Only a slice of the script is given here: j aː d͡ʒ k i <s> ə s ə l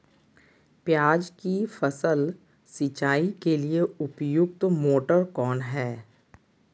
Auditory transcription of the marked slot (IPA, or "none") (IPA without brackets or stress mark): f